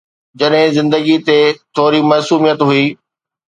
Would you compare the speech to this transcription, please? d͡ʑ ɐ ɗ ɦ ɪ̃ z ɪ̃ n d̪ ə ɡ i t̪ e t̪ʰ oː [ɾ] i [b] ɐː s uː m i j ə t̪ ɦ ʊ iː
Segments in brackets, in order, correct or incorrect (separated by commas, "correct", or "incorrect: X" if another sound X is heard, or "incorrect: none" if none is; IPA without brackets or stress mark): correct, incorrect: m